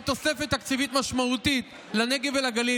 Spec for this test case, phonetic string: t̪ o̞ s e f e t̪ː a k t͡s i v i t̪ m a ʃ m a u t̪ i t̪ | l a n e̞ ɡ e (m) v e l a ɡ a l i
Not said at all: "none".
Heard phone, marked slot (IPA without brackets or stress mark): none